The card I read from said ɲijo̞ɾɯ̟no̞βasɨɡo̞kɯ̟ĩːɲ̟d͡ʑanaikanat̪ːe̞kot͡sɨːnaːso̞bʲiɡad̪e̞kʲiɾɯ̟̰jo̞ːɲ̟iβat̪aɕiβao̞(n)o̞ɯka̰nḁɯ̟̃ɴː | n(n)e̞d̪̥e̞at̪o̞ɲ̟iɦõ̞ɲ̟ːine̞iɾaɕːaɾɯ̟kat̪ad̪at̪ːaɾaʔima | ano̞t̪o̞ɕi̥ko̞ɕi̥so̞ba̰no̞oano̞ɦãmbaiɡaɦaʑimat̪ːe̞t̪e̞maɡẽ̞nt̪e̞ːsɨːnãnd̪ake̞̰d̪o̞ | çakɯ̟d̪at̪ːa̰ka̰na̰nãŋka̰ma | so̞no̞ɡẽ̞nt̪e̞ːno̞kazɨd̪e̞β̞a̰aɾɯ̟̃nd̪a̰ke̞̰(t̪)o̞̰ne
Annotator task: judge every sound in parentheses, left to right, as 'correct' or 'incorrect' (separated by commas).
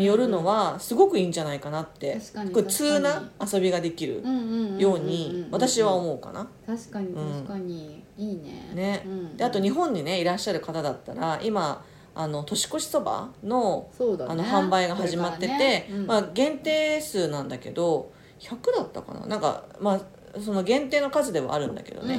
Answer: incorrect, correct, incorrect